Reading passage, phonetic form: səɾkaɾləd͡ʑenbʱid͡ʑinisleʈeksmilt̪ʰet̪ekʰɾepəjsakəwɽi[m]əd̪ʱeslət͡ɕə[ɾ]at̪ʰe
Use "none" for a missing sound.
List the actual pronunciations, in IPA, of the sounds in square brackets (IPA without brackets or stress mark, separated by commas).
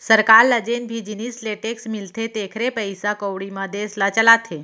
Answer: m, l